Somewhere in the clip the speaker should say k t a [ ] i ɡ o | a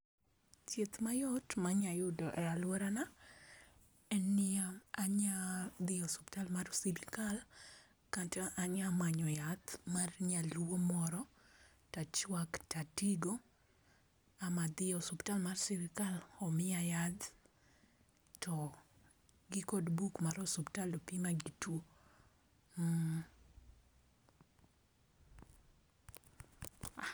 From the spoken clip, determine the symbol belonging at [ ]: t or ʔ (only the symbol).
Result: t